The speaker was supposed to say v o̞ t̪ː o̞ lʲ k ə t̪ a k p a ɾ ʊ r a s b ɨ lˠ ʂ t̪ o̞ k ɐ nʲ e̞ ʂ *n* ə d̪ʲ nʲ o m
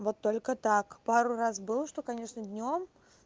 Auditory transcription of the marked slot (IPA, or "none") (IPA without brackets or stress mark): n